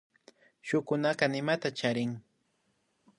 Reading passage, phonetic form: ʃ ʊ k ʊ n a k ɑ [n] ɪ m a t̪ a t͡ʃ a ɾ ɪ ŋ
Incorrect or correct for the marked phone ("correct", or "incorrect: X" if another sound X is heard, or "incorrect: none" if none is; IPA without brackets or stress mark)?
correct